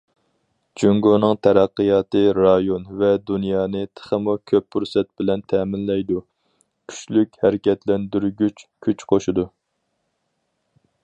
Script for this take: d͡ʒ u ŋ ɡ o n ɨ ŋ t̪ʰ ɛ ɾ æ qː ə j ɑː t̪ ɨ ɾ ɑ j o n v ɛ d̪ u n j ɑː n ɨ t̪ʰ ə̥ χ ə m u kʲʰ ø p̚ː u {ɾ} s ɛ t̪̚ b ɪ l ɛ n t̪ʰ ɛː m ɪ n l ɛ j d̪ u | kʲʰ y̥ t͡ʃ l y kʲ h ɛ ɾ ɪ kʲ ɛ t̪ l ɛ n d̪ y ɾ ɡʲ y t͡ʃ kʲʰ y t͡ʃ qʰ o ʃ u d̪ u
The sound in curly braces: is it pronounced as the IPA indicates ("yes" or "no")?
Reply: yes